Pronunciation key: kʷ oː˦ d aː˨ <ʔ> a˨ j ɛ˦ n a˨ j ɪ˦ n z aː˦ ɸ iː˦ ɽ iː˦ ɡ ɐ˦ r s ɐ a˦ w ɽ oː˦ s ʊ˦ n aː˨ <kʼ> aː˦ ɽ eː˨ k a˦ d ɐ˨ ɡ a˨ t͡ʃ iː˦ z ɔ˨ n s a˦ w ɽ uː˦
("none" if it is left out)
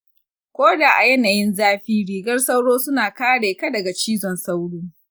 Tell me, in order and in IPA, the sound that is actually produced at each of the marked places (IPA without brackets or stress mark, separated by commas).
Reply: ʔ, k